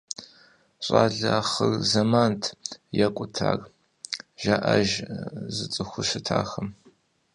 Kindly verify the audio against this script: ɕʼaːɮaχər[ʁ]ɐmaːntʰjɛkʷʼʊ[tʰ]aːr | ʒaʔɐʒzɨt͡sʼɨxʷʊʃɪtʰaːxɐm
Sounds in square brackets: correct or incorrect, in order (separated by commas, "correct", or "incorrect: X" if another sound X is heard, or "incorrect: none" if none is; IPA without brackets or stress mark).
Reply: incorrect: z, correct